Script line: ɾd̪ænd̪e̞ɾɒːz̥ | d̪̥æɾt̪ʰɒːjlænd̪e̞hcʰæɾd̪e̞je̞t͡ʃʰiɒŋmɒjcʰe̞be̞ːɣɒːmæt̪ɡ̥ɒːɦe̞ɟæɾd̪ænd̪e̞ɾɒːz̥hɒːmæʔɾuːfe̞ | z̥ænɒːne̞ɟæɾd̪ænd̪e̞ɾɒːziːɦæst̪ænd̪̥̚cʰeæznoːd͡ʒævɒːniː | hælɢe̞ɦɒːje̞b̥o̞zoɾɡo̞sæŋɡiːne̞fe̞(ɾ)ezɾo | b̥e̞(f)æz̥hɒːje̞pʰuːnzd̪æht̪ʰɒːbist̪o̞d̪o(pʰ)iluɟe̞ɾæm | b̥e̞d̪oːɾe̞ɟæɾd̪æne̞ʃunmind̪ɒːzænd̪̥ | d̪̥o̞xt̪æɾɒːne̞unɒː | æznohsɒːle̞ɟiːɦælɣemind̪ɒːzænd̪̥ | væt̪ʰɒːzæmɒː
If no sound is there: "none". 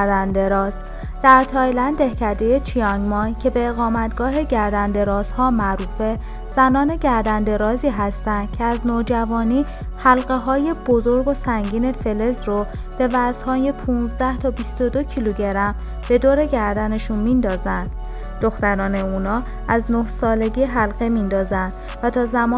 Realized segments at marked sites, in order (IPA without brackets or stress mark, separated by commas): l, v, cʰ